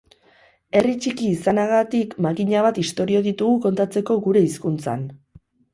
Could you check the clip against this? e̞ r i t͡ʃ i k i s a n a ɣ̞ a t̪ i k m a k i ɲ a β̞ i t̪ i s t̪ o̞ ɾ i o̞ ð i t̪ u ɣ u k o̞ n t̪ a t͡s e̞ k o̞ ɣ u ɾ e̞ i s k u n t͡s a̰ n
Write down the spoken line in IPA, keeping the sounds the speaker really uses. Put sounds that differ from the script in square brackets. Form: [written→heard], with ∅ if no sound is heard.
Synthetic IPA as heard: e̞ r i t͡ʃ i k [i→iː] s a n a ɣ̞ a t̪ i k m a k i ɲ a β̞ [i→a] t̪ i s t̪ o̞ ɾ i o̞ ð i t̪ u ɣ u k o̞ n t̪ a t͡s e̞ k o̞ ɣ u ɾ e̞ i s k u n t͡s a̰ n

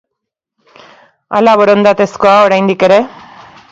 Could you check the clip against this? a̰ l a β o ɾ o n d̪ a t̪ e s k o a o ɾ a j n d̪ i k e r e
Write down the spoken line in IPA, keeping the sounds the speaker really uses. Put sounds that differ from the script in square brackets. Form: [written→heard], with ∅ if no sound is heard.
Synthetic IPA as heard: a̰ l a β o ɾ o n d̪ a t̪ e s k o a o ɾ a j n d̪ i k e [r→ɾ] e

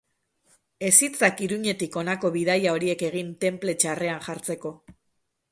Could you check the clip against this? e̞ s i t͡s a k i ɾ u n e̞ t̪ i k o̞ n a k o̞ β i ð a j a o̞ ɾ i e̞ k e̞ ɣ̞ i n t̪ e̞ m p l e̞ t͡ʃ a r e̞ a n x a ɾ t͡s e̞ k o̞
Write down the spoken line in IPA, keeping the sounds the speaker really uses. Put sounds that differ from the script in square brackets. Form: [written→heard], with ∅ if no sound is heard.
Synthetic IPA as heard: e̞ s i t͡s a k i ɾ u [n→ɲ] e̞ t̪ i k o̞ n a k o̞ β i ð a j a o̞ ɾ i e̞ k e̞ ɣ̞ i n t̪ e̞ m p l e̞ t͡ʃ a r e̞ a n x a ɾ t͡s e̞ k o̞

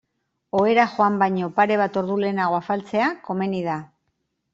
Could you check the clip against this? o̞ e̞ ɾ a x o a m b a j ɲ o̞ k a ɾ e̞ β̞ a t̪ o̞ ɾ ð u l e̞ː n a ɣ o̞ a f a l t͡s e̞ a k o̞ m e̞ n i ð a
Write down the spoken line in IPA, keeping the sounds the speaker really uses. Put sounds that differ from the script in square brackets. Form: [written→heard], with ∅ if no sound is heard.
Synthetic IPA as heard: o̞ e̞ ɾ a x o a m b a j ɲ o̞ [k→p] a ɾ e̞ β̞ a t̪ o̞ ɾ ð u l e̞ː n a ɣ o̞ a f a l t͡s e̞ a k o̞ m e̞ n i ð a

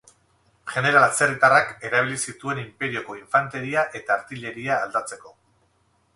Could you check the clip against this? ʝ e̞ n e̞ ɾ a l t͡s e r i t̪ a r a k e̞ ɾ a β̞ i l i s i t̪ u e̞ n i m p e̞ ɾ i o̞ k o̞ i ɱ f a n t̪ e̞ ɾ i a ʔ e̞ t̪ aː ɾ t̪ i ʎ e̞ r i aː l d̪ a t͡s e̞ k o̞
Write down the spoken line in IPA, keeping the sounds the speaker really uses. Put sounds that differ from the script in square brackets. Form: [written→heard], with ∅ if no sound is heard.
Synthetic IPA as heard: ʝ e̞ n e̞ ɾ a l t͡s e r i t̪ a r a k e̞ ɾ a β̞ i l i s i t̪ u e̞ n i m p e̞ ɾ i o̞ k o̞ i ɱ f a n t̪ e̞ ɾ i a ʔ e̞ t̪ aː ɾ t̪ i ʎ e̞ [r→ɾ] i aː l d̪ a t͡s e̞ k o̞

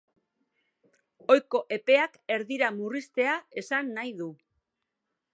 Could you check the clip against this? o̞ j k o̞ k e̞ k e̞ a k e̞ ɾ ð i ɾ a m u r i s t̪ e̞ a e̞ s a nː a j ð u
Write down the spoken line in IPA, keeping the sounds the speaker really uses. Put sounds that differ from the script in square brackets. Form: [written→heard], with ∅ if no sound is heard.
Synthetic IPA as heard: o̞ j k o̞ [k→ʔ] e̞ [k→p] e̞ a k e̞ ɾ ð i ɾ a m u r i s t̪ e̞ a e̞ s a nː a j ð u

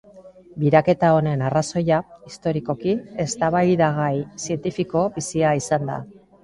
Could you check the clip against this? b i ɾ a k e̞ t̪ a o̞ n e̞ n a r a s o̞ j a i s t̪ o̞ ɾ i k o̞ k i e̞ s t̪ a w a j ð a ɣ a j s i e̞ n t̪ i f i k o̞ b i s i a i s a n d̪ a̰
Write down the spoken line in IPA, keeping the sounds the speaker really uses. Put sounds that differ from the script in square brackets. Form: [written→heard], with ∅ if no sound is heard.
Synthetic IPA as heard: b i ɾ a k e̞ t̪ a o̞ n e̞ n a r a s o̞ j a i s t̪ o̞ ɾ i k o̞ k i e̞ s t̪ a [w→β] a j ð a ɣ a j s i e̞ n t̪ i f i k o̞ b i s i a i s a n d̪ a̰

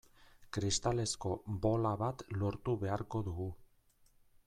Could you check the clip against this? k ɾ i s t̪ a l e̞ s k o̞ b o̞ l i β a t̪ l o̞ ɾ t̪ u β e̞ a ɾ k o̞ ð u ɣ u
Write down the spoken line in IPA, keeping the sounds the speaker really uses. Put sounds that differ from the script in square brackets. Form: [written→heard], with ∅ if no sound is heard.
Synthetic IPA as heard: k ɾ i s t̪ a l e̞ s k o̞ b o̞ l [i→a] β a t̪ l o̞ ɾ t̪ u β e̞ a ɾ k o̞ ð u ɣ u

